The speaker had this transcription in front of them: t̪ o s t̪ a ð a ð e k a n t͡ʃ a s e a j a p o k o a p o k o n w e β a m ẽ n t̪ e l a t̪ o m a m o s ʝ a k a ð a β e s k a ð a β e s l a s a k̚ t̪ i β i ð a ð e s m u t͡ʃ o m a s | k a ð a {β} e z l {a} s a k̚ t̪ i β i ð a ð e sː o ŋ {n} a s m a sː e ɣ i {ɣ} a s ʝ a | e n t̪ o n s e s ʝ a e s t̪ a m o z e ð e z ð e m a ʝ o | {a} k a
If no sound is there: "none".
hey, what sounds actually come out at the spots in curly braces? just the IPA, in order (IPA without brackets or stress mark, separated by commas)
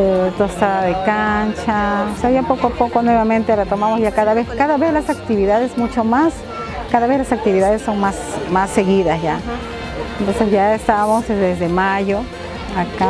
β, a, m, ð, a